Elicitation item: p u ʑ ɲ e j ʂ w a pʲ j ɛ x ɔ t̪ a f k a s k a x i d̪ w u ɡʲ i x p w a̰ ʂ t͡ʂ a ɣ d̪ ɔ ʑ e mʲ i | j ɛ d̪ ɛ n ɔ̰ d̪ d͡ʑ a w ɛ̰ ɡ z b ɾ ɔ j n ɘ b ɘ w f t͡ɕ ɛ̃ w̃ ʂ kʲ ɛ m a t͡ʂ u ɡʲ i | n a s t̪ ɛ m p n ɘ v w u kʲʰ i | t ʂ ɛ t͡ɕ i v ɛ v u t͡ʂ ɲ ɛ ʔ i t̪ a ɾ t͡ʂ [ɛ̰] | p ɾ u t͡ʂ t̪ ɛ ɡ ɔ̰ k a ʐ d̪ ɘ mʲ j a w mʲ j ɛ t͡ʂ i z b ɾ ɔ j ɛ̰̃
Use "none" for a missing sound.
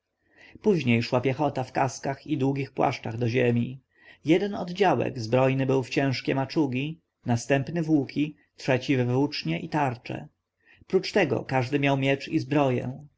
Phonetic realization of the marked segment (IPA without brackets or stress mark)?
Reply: ɛ̰